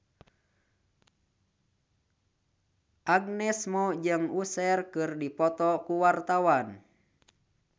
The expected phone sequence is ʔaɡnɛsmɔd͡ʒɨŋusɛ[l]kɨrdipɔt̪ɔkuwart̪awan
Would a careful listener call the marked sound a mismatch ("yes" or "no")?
yes